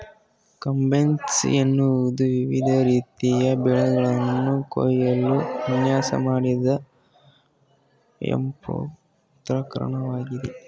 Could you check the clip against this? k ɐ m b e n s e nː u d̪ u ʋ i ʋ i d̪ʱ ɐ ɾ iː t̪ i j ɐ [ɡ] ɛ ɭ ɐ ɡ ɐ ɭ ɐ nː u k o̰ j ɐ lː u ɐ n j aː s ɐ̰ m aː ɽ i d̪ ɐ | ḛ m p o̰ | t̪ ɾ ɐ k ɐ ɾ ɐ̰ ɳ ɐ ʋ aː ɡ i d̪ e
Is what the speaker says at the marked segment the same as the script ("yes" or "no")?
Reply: no